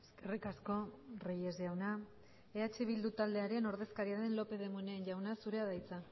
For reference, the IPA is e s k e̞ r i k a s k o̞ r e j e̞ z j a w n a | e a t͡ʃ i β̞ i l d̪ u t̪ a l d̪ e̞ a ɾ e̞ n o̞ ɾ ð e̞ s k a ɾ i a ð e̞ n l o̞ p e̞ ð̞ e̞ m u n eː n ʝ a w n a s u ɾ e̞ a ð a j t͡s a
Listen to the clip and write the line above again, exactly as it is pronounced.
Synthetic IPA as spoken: e s k e̞ r i k a s k o̞ r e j e̞ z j a w n a | e a t͡ʃ i β̞ i l d̪ u t̪ a l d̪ e̞ a ɾ e̞ n o̞ ɾ ð e̞ s k a ɾ i a ð e̞ n l o̞ p e̞ ð̞ e̞ m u n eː n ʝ a w n a s u ɾ e̞ a ð a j t͡s a